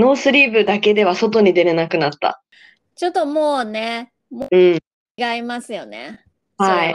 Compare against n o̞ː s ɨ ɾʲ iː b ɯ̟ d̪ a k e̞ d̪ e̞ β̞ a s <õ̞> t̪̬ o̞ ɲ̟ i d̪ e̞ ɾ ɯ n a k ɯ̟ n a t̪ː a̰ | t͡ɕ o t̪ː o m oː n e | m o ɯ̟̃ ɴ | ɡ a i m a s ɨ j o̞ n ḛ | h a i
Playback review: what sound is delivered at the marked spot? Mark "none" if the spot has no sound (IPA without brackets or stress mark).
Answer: o̞